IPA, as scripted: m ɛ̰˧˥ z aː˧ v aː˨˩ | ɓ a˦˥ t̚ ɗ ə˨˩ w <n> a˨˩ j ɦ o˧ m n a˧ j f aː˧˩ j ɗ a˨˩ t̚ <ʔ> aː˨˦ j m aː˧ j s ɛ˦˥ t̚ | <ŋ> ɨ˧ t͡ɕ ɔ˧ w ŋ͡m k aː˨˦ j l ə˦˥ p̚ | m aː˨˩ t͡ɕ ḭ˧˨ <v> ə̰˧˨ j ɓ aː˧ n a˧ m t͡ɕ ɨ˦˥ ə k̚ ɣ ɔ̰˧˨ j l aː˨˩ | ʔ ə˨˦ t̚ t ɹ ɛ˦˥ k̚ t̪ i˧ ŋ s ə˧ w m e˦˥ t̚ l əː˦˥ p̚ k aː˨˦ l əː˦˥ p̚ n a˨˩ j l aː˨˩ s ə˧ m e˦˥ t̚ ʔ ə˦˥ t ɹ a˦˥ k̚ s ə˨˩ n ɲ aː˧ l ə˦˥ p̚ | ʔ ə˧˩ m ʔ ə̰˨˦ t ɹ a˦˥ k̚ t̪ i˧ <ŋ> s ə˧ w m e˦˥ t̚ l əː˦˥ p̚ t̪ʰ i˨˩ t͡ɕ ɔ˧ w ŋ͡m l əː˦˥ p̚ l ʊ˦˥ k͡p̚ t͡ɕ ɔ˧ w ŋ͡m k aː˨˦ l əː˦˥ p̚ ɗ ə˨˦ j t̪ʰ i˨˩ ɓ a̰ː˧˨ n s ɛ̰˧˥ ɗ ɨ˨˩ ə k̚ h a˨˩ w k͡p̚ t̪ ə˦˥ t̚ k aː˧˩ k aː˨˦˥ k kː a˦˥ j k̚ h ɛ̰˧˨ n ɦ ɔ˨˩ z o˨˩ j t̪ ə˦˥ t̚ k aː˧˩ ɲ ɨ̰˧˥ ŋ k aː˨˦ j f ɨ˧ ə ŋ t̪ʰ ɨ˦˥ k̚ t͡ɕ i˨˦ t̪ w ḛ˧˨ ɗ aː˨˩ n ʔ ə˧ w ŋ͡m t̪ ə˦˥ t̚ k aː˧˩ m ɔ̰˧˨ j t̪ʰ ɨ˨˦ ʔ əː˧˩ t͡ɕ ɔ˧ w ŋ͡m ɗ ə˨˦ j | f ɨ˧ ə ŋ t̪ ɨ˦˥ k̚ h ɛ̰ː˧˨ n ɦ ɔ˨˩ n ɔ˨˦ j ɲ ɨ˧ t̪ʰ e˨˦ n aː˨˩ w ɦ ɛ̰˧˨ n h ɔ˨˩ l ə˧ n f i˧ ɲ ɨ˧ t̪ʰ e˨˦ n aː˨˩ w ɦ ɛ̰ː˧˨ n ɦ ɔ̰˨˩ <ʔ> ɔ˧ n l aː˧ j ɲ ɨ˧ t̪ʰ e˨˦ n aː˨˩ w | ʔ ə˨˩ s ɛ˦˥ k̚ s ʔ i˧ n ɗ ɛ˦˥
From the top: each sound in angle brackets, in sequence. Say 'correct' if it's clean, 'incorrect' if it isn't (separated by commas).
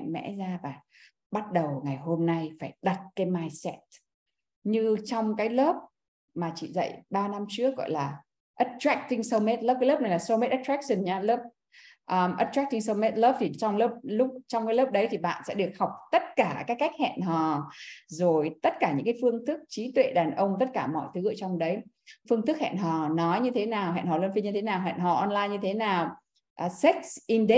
incorrect, incorrect, incorrect, incorrect, correct, correct